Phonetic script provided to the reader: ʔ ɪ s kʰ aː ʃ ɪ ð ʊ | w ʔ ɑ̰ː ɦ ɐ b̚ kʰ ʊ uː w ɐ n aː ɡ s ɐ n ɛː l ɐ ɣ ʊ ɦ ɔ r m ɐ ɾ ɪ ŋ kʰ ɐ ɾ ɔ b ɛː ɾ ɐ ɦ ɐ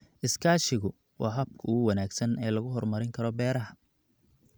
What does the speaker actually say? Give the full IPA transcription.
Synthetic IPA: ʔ ɪ s kʰ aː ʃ ɪ ɣ ʊ | w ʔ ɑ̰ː ɦ ɐ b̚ kʰ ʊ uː w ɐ n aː ɡ s ɐ n ɛː l ɐ ɣ ʊ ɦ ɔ r m ɐ ɾ ɪ ŋ kʰ ɐ ɾ ɔ b ɛː ɾ ɐ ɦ ɐ